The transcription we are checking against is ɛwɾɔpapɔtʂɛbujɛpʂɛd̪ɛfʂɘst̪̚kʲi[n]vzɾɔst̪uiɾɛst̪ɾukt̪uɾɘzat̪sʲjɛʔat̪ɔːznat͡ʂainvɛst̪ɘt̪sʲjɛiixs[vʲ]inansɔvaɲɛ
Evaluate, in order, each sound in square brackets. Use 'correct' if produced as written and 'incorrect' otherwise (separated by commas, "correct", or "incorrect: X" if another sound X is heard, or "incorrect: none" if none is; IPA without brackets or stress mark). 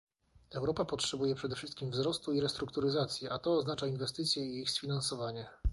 incorrect: m, incorrect: fʲ